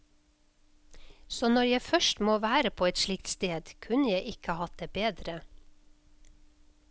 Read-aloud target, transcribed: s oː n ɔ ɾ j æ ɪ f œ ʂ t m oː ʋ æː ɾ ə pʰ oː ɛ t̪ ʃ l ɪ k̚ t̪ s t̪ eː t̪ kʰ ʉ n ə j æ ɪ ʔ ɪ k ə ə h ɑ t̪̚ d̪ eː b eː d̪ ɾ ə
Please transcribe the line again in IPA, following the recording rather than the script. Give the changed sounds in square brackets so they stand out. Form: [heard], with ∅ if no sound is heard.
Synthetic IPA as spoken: s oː n ɔ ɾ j æ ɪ f œ [ʃ] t m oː ʋ æː ɾ ə pʰ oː ɛ t̪ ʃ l ɪ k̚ t̪ s t̪ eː [d̪] kʰ ʉ n ə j æ ɪ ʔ ɪ k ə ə h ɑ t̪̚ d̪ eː b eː d̪ ɾ ə